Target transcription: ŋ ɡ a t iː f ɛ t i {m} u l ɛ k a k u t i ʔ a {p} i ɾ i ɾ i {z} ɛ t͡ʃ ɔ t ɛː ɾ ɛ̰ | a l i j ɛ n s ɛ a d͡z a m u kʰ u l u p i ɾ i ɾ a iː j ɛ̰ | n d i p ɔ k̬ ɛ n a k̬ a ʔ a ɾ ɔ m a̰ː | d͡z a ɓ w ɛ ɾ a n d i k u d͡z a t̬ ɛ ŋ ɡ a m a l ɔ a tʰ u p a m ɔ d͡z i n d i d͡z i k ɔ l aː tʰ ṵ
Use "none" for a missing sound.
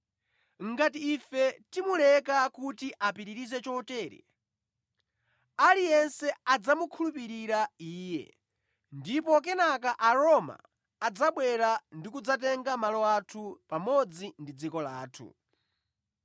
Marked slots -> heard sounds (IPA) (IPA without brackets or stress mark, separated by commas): m, p, z